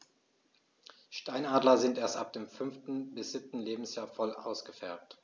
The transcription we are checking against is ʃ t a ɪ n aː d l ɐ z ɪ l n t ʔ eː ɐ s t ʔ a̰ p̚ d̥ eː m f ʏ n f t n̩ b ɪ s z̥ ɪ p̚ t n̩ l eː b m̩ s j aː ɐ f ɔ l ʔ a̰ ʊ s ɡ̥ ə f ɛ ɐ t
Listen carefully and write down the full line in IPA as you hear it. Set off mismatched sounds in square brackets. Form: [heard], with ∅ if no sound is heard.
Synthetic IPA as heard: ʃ t a ɪ n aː d l ɐ z ɪ [∅] n t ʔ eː ɐ s t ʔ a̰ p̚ d̥ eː m f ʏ n f t n̩ b ɪ s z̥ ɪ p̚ t n̩ l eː b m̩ s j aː ɐ f ɔ l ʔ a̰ ʊ s ɡ̥ ə f ɛ ɐ t